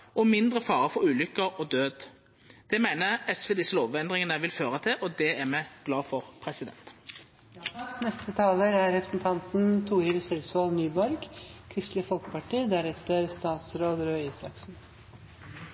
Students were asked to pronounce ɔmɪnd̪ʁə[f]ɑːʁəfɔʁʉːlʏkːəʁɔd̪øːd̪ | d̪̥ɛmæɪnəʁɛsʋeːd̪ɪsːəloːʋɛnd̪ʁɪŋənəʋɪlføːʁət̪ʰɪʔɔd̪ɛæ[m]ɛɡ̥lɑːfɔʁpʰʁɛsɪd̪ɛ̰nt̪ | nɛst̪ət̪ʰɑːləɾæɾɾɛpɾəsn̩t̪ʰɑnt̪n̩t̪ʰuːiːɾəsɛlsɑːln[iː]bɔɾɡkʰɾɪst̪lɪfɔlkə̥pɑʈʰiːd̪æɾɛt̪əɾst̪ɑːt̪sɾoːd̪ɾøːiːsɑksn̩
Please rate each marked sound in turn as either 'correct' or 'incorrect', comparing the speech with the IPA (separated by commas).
correct, correct, incorrect